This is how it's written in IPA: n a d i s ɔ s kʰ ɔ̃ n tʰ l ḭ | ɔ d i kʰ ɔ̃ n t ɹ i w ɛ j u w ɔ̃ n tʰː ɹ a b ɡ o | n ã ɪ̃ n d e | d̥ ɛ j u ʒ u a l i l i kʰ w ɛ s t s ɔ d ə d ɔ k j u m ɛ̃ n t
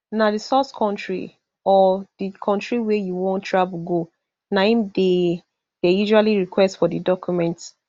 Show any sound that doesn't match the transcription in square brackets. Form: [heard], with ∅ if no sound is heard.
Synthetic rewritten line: n a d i s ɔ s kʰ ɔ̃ n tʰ [ɹ] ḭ | ɔ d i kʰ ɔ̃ n t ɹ i w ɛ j u w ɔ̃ n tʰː ɹ a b ɡ o | n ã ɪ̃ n d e | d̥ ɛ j u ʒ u a l i [ɹ] i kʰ w ɛ s t [f] ɔ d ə d ɔ k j u m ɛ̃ n t